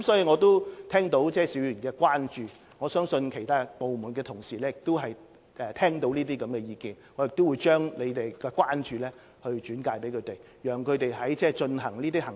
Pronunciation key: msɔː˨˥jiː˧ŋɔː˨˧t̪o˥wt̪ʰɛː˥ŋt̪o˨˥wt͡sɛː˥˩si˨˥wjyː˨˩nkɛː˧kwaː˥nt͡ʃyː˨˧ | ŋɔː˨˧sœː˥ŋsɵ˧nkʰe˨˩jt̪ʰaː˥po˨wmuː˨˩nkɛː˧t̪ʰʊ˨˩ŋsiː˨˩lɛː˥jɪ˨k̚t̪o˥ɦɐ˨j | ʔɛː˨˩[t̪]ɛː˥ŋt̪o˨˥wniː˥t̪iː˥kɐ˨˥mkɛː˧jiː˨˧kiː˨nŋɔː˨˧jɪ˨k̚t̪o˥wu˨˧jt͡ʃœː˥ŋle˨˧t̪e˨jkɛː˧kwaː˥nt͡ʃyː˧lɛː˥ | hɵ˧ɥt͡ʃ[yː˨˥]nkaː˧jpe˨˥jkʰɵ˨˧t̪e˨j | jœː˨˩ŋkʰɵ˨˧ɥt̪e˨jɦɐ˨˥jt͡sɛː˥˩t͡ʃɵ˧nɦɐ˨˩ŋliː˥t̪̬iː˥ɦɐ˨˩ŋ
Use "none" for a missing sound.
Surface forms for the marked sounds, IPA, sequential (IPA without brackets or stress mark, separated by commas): t̪ʰ, yː˨˥